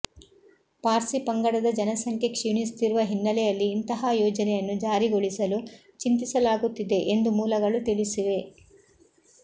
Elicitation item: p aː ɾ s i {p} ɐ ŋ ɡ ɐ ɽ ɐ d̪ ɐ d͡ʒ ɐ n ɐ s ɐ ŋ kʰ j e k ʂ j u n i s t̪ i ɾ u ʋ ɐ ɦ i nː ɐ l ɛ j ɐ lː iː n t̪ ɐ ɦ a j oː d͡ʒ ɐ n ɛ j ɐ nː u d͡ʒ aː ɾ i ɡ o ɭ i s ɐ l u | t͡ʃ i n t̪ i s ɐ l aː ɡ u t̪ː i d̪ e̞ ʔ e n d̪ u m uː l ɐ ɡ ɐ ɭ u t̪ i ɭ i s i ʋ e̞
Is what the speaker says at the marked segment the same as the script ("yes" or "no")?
yes